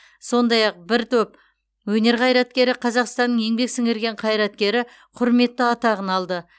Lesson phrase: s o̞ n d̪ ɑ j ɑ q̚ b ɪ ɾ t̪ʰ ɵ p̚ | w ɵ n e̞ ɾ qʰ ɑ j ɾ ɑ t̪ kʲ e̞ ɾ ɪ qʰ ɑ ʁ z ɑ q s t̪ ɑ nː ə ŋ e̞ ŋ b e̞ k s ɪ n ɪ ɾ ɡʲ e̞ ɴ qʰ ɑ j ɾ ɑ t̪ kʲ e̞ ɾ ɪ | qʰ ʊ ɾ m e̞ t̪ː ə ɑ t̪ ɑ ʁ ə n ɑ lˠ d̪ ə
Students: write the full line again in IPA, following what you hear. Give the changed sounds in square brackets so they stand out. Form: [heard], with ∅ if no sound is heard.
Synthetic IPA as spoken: s o̞ n d̪ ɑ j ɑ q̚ b ɪ ɾ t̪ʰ ɵ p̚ | w ɵ n e̞ ɾ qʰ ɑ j ɾ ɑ t̪ kʲ e̞ ɾ ɪ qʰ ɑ [∅] z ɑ q s t̪ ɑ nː ə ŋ e̞ ŋ b e̞ k s ɪ [ŋ] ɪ ɾ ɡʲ e̞ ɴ qʰ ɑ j ɾ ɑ t̪ kʲ e̞ ɾ ɪ | qʰ ʊ ɾ m e̞ t̪ː ə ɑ t̪ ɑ ʁ ə n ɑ lˠ d̪ ə